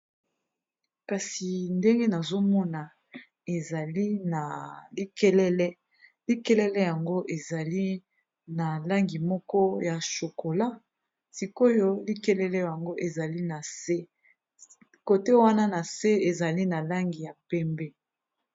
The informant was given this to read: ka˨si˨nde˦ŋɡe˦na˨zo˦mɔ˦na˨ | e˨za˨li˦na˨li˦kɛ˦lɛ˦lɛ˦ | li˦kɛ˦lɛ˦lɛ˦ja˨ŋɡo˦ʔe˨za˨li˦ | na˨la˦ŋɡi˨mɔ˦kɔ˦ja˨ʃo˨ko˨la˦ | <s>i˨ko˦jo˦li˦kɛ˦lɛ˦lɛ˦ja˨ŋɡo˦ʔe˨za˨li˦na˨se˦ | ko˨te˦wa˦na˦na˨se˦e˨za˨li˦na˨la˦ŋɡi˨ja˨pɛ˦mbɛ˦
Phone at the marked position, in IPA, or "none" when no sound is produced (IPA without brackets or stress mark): s